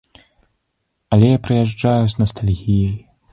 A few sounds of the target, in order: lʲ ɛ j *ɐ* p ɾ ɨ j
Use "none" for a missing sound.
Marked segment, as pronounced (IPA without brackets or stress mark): a